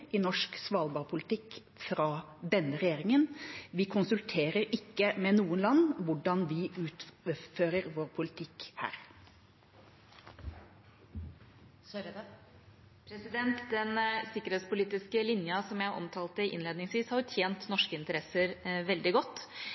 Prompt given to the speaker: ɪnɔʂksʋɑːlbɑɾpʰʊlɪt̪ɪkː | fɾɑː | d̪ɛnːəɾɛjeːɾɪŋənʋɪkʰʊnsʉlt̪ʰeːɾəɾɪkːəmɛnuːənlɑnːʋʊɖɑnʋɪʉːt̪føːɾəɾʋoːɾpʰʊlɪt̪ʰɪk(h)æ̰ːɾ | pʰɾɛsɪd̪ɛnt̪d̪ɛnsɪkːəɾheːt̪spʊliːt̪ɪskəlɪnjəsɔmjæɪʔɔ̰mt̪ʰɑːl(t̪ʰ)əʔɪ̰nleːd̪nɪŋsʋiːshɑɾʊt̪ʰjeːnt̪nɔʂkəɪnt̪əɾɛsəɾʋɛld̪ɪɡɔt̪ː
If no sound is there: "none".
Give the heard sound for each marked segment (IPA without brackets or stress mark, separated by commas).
h, t̪